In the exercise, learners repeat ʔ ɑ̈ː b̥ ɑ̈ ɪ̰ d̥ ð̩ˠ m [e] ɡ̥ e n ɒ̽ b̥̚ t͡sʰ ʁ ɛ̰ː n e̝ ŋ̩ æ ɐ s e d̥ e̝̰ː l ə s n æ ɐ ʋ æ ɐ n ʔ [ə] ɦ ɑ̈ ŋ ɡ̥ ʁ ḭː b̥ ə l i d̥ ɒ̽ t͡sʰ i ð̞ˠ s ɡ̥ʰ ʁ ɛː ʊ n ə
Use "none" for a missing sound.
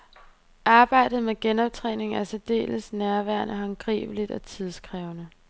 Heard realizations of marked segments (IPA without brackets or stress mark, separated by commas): e, ə